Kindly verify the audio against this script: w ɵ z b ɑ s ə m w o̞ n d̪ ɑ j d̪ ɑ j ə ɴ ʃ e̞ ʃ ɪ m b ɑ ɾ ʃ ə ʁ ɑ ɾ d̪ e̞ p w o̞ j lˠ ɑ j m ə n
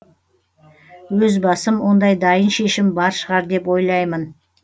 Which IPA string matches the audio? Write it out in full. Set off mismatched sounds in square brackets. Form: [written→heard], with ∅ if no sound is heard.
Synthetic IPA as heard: w ɵ z b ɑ s ə m w o̞ n d̪ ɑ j d̪ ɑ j ə [ɴ→n] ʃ e̞ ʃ ɪ m b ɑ ɾ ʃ ə ʁ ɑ ɾ d̪ e̞ p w o̞ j lˠ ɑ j m ə n